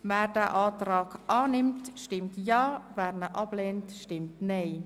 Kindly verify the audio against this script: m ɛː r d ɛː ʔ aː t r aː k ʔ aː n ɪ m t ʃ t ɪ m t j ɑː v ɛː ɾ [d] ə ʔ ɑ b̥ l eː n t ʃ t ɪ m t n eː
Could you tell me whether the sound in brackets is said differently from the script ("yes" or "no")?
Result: yes